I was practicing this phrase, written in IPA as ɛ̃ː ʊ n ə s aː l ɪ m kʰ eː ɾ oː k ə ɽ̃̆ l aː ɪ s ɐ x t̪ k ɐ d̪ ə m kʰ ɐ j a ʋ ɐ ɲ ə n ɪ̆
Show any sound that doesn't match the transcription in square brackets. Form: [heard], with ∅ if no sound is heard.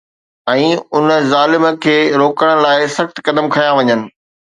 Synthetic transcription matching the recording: ɛ̃ː ʊ n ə [z] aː l ɪ m kʰ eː ɾ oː k ə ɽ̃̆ l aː ɪ s ɐ x t̪ k ɐ d̪ ə m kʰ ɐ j a ʋ ɐ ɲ ə n ɪ̆